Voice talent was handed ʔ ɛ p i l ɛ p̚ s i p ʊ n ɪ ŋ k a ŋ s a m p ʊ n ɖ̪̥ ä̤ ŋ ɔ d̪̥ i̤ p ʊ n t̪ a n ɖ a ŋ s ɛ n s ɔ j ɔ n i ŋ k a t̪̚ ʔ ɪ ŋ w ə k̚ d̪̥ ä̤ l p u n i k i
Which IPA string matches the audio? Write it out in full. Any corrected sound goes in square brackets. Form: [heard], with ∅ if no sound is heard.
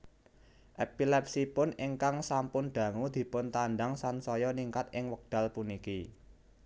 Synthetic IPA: ʔ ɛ p i l ɛ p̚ s i p ʊ n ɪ ŋ k a ŋ s a m p ʊ n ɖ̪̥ ä̤ ŋ [u] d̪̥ i̤ p ʊ n t̪ a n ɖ a ŋ s [a] n s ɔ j ɔ n i ŋ k a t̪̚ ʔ ɪ ŋ w ə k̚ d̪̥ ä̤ l p u n i k i